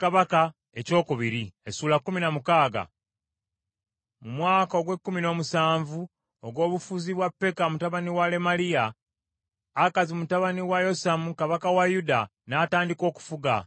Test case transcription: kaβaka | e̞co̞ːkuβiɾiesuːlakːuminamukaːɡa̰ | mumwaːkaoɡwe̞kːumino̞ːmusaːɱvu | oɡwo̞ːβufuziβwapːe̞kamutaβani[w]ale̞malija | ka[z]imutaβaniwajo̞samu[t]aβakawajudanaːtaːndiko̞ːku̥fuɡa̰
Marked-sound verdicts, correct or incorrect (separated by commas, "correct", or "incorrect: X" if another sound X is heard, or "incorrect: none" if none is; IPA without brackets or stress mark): correct, correct, incorrect: k